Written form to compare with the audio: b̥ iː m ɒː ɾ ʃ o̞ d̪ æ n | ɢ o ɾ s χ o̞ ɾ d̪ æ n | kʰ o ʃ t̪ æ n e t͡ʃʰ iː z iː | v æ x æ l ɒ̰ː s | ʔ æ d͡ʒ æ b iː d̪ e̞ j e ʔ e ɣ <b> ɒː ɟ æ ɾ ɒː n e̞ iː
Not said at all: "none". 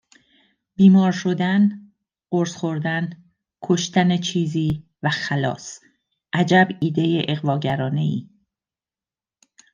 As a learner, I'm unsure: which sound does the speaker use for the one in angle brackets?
v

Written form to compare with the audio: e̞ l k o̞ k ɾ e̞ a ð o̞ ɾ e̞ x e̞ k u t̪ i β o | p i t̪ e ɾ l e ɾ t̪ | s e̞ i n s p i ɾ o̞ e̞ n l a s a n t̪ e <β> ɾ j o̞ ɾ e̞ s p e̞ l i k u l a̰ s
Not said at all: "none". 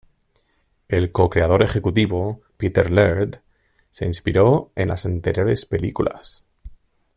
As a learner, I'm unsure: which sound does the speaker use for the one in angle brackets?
none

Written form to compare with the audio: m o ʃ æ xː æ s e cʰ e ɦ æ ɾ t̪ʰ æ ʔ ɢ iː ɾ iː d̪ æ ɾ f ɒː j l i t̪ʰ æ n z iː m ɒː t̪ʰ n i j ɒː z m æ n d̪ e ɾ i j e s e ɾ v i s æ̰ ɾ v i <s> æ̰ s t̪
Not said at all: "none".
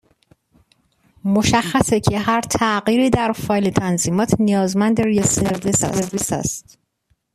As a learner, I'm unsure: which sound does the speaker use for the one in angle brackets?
s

